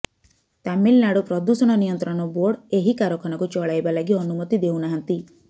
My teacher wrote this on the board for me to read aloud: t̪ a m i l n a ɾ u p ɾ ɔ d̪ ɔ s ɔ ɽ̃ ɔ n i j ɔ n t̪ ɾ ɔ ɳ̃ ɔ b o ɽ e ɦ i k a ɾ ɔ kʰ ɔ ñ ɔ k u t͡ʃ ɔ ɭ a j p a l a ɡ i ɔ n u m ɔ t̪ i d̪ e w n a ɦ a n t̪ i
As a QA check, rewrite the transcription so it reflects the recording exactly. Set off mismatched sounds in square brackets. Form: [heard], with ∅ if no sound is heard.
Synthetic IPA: t̪ a m i l n a [ɽ] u p ɾ ɔ d̪ [u] s ɔ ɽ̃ ɔ n i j ɔ n t̪ ɾ ɔ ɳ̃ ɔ b o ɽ e ɦ i k a ɾ ɔ kʰ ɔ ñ ɔ k u t͡ʃ ɔ ɭ a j [b] a l a ɡ i ɔ n u m ɔ t̪ i d̪ e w n a ɦ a n t̪ i

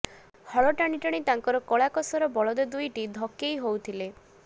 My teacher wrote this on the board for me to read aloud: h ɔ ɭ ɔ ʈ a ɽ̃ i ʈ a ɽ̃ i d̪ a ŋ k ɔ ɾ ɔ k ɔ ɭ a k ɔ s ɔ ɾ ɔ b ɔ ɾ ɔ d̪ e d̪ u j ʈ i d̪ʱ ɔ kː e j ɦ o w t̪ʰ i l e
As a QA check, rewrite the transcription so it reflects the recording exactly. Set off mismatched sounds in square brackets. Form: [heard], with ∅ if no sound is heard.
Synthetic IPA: h ɔ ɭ ɔ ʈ a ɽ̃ i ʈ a ɽ̃ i [t̪] a ŋ k ɔ ɾ ɔ k ɔ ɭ a k ɔ s ɔ ɾ ɔ b ɔ [ɭ] ɔ d̪ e d̪ u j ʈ i d̪ʱ ɔ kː e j ɦ o w t̪ʰ i l e

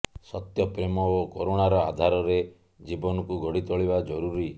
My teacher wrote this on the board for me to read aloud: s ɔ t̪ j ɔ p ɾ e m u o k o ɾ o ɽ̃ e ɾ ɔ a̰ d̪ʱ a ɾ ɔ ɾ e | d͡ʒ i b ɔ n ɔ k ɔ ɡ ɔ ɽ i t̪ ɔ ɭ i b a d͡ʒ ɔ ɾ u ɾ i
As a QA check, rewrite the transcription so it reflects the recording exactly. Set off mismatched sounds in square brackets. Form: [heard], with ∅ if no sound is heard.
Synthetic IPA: s ɔ t̪ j ɔ p ɾ e m [ɔ] o k o ɾ o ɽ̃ [a] ɾ ɔ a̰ d̪ʱ a ɾ ɔ ɾ e | d͡ʒ i b ɔ n ɔ k [u] ɡ ɔ ɽ i t̪ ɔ ɭ i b a d͡ʒ ɔ ɾ u ɾ i

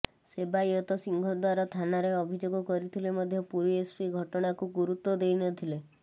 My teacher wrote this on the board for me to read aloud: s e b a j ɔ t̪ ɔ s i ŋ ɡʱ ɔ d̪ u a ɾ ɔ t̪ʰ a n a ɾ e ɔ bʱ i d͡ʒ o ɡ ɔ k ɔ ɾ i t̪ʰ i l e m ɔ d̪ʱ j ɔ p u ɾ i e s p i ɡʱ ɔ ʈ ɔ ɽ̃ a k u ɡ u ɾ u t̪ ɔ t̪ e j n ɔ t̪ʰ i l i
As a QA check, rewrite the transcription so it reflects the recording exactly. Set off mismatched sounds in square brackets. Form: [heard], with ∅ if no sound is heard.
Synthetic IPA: s e b a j ɔ t̪ ɔ s i ŋ ɡʱ ɔ d̪ [w] a ɾ ɔ t̪ʰ a n a ɾ e ɔ bʱ i d͡ʒ o ɡ ɔ k ɔ ɾ i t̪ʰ i l e m ɔ d̪ʱ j ɔ p u ɾ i e s p i ɡʱ ɔ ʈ ɔ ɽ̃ a k u ɡ u ɾ u t̪ ɔ [d̪] e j n ɔ t̪ʰ i l [e]

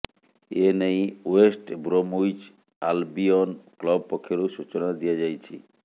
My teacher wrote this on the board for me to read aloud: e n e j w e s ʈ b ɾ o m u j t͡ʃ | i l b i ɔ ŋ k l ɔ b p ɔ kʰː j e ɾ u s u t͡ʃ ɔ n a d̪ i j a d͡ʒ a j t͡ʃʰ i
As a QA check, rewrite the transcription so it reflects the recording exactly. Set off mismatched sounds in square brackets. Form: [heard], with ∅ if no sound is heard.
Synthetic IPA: e n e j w e s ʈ b ɾ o m u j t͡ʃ | [a] l b i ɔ [n] k l ɔ b p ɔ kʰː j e ɾ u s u t͡ʃ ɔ n a d̪ i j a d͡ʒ a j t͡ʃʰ i

